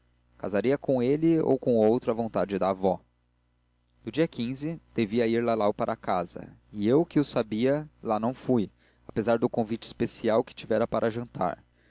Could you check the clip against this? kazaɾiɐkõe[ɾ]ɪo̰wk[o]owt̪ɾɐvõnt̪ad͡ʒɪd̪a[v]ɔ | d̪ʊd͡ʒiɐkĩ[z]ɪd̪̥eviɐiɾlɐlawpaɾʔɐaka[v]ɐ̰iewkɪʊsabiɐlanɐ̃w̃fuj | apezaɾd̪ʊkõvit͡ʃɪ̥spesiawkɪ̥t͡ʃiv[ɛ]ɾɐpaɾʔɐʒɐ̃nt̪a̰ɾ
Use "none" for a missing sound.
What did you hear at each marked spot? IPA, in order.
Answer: l, õ, v, z, z, ɛ

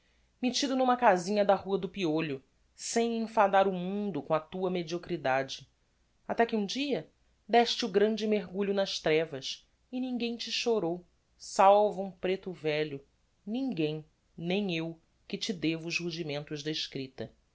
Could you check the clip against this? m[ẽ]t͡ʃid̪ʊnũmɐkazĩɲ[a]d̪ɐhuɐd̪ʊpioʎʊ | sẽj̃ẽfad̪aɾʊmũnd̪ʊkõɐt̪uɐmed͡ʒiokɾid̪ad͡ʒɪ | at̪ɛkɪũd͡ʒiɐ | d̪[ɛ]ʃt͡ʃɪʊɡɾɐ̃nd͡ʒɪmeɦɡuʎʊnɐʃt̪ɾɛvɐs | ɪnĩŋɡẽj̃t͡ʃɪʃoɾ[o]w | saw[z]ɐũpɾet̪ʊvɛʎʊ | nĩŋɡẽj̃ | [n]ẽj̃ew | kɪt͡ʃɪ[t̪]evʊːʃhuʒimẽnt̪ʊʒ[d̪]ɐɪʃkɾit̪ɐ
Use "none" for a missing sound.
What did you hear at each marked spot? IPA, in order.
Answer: e, ɐ, ɛ, o, v, n, d̪, d̪

